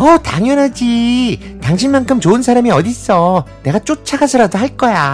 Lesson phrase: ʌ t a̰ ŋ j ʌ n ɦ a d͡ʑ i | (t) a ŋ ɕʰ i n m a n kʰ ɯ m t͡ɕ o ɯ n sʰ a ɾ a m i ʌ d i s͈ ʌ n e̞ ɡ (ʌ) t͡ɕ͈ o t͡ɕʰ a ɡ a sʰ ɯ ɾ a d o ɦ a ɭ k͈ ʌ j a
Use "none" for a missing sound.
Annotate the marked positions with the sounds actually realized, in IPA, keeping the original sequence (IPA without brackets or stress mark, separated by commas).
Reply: t, a